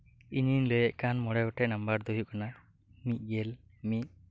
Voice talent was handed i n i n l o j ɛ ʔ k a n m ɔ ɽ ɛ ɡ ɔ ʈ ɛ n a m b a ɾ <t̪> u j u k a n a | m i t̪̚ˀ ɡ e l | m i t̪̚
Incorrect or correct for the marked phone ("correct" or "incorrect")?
incorrect